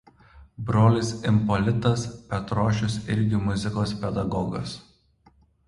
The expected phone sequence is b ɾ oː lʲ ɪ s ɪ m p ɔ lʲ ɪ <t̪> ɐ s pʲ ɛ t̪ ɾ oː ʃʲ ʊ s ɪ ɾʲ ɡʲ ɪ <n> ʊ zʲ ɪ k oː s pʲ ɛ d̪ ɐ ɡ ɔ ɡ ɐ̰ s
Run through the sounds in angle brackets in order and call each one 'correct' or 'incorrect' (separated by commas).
correct, incorrect